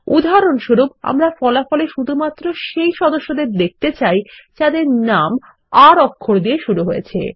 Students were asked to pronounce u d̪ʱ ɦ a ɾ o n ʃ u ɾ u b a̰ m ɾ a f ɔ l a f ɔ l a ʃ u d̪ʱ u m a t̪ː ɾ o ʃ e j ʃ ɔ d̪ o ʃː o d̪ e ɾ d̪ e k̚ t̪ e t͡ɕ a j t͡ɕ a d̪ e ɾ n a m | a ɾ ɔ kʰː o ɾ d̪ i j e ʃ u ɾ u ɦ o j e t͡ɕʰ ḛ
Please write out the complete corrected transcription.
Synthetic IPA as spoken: u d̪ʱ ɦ a ɾ o n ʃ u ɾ u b a̰ m ɾ a f ɔ l a f ɔ l e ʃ u d̪ʱ u m a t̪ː ɾ o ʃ e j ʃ ɔ d̪ o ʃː o d̪ e ɾ d̪ e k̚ t̪ e t͡ɕ a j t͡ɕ a d̪ e ɾ n a m | a ɾ ɔ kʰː o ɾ d̪ i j e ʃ u ɾ u ɦ o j e t͡ɕʰ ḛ